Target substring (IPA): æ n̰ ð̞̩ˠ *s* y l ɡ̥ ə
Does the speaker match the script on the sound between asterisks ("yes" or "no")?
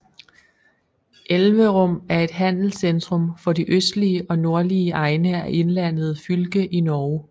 no